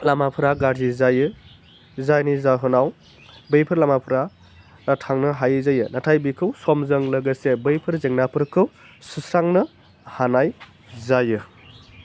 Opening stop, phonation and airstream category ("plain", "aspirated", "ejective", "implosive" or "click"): aspirated